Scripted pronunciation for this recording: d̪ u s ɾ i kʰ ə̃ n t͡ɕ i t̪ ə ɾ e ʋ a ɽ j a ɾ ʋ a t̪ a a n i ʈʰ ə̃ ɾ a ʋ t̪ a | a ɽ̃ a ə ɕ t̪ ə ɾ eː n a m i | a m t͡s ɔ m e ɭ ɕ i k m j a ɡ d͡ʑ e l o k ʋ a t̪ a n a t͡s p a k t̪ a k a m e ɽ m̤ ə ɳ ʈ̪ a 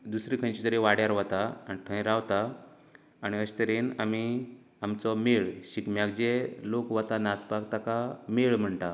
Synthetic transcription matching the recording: d̪ u s ɾ i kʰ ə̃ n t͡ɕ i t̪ ə ɾ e ʋ a ɽ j a ɾ ʋ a t̪ a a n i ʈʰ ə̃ ɾ a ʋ t̪ a | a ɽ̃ i ə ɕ t̪ ə ɾ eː n a m i | a m t͡s ɔ m e ɭ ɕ i k m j a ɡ d͡ʑ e l o k ʋ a t̪ a n a t͡s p a k t̪ a k a m e ɭ m̤ ə ɳ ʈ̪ a